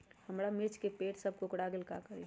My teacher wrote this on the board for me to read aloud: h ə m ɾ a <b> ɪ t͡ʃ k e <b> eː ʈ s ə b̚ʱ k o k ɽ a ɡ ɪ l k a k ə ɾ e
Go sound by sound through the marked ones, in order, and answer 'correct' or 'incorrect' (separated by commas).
incorrect, incorrect